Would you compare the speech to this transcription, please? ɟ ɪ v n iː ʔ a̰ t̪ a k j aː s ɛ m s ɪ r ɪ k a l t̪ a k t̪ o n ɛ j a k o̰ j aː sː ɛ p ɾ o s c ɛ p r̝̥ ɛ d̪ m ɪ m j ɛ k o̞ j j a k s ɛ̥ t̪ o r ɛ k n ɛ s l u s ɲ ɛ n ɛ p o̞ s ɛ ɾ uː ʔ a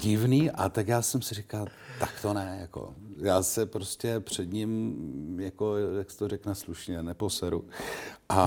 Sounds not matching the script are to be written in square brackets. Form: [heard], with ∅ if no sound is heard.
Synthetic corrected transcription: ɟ ɪ v n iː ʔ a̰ t̪ a k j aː s ɛ m s ɪ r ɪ k a l t̪ a k t̪ o n ɛ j a k o̰ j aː [s] ɛ p ɾ o s c ɛ p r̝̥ ɛ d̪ [ɲ] ɪ m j [a] k o̞ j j a k s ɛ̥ t̪ o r ɛ k n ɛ s l u [ʃ] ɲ ɛ n ɛ p o̞ s ɛ ɾ [u] ʔ a